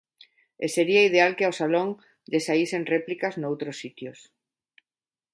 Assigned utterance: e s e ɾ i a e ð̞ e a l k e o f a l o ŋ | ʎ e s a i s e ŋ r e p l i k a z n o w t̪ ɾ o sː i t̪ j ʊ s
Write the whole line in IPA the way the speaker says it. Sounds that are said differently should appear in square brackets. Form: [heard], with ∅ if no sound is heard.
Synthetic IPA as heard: e s e ɾ i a [i] ð̞ e a l k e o [s] a l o ŋ | ʎ e s a i s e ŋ r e p l i k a z n o w t̪ ɾ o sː i t̪ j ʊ s